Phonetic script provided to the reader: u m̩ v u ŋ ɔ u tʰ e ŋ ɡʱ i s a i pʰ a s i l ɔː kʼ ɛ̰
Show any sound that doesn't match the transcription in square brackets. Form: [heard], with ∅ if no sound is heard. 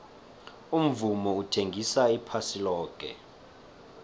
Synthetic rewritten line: u m̩ v u [m] ɔ u tʰ e ŋ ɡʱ i s a i pʰ a s i l ɔː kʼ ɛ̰